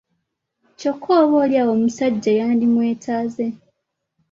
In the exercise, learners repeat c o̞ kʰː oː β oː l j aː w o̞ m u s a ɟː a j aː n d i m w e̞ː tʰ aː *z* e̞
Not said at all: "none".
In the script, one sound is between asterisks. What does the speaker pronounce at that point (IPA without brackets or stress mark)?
z